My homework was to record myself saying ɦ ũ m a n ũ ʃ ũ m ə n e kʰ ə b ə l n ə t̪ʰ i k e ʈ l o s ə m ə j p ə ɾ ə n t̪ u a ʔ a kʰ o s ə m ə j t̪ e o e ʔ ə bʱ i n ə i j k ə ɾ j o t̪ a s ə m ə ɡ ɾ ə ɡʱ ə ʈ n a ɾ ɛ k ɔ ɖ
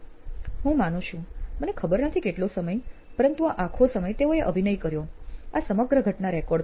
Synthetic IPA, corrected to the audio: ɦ ũ m a n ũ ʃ ũ m ə n e kʰ ə b ə ɾ n ə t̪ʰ i k e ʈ l o s ə m ə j p ə ɾ ə n t̪ u a ʔ a kʰ o s ə m ə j t̪ e o e ʔ ə bʱ i n ə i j k ə ɾ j o a s ə m ə ɡ ɾ ə ɡʱ ə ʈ n a ɾ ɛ k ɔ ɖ